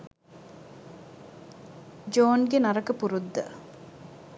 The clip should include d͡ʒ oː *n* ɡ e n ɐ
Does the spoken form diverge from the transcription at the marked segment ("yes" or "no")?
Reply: no